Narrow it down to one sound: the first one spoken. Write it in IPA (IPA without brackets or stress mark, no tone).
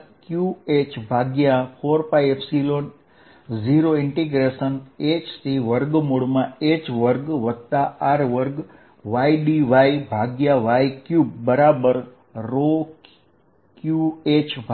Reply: k